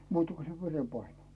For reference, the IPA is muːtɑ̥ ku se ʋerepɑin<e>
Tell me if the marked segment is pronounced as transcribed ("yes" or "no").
yes